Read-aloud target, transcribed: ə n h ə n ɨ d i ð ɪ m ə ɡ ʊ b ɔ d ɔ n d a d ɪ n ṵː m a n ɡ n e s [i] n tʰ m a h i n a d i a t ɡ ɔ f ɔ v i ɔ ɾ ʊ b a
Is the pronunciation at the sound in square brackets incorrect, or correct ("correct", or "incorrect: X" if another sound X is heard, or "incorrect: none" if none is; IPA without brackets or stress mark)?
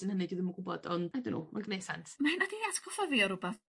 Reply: incorrect: a